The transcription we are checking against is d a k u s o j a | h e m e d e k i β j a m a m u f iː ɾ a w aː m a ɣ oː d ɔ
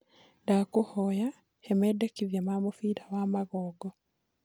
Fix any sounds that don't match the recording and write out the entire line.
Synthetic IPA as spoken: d a k u h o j a | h e m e d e k i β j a m a m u f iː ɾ a w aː m a ɣ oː ɡ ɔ